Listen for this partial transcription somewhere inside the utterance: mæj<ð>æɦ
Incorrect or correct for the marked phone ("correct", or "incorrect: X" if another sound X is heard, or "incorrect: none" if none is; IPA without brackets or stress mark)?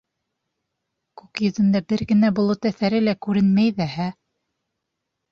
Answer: correct